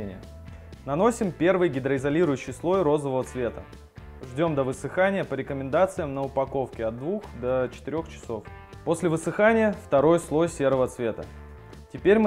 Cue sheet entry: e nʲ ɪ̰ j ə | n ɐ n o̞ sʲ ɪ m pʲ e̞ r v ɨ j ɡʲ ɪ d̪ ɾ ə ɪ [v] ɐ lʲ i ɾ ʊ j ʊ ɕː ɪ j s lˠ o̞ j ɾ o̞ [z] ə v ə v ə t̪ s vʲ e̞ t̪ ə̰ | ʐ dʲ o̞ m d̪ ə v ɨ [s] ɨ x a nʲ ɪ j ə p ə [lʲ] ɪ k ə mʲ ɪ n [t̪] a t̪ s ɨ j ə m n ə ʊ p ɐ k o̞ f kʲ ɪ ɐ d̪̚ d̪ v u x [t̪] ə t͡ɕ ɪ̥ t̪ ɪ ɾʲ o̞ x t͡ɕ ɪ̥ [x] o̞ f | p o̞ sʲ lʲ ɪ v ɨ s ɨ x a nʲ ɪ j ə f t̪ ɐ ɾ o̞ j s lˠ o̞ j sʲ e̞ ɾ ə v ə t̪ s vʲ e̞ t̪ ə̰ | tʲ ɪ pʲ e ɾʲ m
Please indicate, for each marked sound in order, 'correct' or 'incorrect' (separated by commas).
incorrect, correct, correct, incorrect, incorrect, incorrect, incorrect